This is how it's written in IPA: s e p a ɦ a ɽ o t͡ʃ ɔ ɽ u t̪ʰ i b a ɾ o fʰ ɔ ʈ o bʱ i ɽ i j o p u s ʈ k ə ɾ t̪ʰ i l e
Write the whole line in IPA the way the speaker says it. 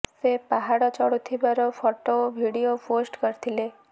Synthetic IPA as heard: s e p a ɦ a ɽ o t͡ʃ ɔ ɽ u t̪ʰ i b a ɾ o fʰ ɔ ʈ o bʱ i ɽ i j o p o s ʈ k ə ɾ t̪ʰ i l e